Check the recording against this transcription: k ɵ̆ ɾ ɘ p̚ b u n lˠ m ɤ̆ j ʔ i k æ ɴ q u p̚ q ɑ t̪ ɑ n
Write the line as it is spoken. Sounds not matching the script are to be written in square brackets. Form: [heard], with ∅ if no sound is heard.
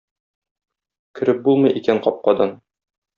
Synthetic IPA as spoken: k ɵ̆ ɾ ɘ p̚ b u [∅] lˠ m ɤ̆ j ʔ i k æ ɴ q [ɒ] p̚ q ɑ [d̪] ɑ n

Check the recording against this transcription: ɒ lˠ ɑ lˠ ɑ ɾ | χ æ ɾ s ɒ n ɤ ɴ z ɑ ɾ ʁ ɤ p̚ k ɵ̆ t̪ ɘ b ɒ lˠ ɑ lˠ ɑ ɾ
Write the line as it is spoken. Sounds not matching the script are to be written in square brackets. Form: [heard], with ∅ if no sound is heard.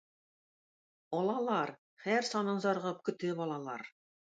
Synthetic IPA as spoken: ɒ lˠ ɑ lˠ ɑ ɾ | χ æ ɾ s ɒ n ɤ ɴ z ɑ ɾ ʁ ɤ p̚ k ɵ̆ t̪ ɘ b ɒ lˠ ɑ lˠ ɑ ɾ

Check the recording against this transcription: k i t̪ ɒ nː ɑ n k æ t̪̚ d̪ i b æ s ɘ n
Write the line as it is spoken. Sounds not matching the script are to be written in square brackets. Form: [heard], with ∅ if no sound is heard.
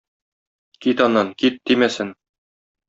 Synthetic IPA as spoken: k i t̪ ɒ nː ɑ n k [i] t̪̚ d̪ i [m] æ s ɘ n

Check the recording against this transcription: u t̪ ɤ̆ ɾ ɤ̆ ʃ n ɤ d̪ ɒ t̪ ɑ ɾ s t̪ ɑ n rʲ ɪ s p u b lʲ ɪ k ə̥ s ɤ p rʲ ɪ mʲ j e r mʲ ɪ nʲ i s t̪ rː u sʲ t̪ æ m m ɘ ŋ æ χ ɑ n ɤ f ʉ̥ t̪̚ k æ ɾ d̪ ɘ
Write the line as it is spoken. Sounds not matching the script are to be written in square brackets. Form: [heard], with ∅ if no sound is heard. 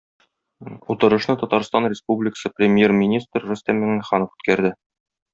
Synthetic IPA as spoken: u t̪ ɤ̆ ɾ ɤ̆ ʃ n ɤ [t̪] ɒ t̪ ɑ ɾ s t̪ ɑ n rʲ ɪ s p u b lʲ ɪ k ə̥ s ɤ p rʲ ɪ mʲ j e r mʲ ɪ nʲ i s t̪ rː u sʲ t̪ æ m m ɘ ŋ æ χ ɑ n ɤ f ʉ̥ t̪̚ k æ ɾ d̪ ɘ

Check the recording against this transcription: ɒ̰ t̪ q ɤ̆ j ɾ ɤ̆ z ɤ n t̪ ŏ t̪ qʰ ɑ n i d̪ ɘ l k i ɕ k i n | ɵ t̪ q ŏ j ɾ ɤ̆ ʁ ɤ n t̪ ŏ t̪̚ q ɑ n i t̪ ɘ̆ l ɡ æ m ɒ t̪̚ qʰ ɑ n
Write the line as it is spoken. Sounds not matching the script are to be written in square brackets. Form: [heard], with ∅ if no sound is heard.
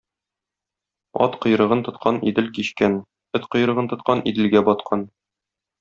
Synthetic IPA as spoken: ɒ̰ t̪ q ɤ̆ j ɾ ɤ̆ [ʁ] ɤ n t̪ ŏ t̪ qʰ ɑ n i d̪ ɘ l k i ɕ k [æ] n | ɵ t̪ q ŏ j ɾ ɤ̆ ʁ ɤ n t̪ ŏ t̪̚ q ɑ n i [d̪] ɘ̆ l ɡ æ [b] ɒ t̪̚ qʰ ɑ n

